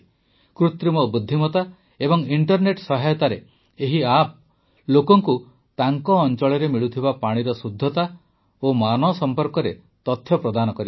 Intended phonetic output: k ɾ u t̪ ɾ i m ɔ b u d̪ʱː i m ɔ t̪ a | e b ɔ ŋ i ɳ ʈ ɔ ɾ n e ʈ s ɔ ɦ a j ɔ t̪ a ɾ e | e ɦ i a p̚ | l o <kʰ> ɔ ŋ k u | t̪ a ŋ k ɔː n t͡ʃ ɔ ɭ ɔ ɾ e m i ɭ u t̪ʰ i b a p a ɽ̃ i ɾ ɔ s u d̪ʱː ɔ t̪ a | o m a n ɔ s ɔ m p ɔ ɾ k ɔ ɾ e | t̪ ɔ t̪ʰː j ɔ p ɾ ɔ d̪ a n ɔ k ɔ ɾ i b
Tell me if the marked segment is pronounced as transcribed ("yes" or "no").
no